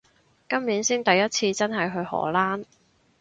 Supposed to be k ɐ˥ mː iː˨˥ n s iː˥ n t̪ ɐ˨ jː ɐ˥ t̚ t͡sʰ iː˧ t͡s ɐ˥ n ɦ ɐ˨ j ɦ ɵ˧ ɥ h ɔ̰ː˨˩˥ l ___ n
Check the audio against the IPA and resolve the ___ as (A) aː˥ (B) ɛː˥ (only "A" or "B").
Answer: A